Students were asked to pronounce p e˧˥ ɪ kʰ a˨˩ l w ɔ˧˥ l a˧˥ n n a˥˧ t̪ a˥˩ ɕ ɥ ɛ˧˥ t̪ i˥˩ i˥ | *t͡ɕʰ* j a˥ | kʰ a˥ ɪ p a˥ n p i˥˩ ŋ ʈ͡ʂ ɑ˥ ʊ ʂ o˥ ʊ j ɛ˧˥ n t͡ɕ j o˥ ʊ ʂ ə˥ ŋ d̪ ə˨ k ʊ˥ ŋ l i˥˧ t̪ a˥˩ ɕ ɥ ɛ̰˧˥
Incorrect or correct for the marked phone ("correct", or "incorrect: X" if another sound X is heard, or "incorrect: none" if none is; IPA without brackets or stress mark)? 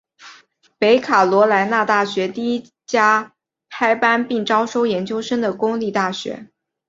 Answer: incorrect: t͡ɕ